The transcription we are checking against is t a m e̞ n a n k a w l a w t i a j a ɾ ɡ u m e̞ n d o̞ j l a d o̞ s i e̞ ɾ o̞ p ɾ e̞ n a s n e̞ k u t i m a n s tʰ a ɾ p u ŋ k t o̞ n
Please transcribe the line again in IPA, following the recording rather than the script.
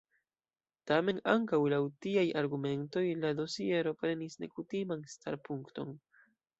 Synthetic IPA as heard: t a m e̞ n a ŋ k a w l a w t i a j a ɾ ɡ u m e̞ n t o̞ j l a d o̞ s i e̞ ɾ o̞ p ɾ e̞ n i s n e̞ k u t i m a n s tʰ a ɾ p u ŋ k t o̞ n